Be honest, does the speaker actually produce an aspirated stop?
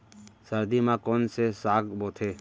yes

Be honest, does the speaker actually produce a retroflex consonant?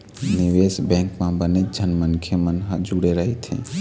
yes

